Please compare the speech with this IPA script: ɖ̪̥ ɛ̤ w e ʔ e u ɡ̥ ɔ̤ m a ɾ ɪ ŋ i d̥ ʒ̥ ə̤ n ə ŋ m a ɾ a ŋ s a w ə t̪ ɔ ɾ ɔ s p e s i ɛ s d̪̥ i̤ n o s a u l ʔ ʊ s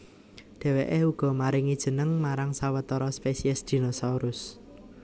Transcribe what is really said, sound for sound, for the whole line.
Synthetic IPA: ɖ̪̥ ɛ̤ w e ʔ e u ɡ̥ ɔ̤ m a ɾ ɪ ŋ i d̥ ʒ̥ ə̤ n ə ŋ m a ɾ a ŋ s a w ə t̪ ɔ ɾ ɔ s p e s i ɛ s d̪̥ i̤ n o s a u ɾ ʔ ʊ s